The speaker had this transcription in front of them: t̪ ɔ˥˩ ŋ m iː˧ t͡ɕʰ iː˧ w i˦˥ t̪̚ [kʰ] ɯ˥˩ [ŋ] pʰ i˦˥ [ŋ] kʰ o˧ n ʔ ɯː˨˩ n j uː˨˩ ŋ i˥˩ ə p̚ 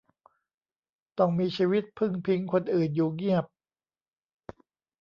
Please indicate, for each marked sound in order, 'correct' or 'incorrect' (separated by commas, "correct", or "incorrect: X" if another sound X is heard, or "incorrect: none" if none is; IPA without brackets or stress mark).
incorrect: pʰ, correct, correct